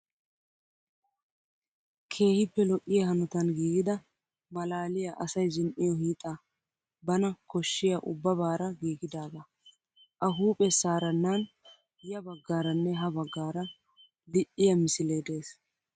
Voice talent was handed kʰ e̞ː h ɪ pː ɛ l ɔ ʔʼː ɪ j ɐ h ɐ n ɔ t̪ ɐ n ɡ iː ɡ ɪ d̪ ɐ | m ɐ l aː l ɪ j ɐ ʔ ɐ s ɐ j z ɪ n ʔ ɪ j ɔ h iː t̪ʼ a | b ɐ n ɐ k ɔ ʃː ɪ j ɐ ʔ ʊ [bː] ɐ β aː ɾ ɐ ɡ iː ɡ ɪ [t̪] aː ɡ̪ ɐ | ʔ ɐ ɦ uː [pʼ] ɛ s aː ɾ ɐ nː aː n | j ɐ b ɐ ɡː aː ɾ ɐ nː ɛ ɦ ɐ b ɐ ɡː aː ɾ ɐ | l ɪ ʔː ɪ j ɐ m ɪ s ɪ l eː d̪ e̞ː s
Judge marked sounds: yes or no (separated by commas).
yes, no, yes